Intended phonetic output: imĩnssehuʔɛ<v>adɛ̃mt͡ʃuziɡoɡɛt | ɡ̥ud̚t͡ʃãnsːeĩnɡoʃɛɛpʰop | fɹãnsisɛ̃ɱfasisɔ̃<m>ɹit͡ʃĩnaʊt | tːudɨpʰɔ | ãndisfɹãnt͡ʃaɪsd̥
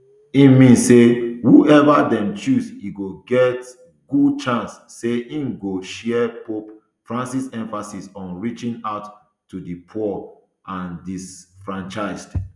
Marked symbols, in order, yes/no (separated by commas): yes, no